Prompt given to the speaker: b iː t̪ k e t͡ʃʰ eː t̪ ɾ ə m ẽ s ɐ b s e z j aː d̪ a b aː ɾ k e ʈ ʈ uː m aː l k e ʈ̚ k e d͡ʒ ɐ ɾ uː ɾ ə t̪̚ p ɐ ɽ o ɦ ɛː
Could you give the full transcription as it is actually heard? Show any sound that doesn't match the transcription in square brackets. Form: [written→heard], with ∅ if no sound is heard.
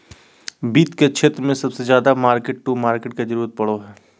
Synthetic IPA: b iː t̪ k e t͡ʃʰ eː t̪ ɾ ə m ẽ s ɐ b s e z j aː d̪ a [b→m] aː ɾ k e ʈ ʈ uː m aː [l→ɾ] k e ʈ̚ k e d͡ʒ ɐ ɾ uː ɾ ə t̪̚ p ɐ ɽ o ɦ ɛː